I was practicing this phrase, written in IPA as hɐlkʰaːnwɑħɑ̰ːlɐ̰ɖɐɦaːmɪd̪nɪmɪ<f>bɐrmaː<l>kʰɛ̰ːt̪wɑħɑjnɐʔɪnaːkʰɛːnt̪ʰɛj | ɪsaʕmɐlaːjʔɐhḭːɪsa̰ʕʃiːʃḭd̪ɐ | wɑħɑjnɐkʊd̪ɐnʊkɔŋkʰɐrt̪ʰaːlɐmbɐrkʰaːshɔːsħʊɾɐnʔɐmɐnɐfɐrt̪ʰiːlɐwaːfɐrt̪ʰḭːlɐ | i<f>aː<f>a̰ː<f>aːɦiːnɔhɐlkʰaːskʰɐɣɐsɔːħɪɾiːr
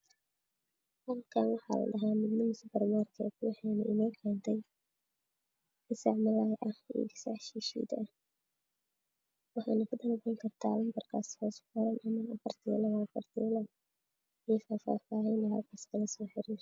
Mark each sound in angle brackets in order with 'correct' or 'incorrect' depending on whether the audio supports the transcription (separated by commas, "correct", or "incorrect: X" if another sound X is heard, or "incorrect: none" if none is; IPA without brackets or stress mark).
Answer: incorrect: s, incorrect: r, correct, correct, correct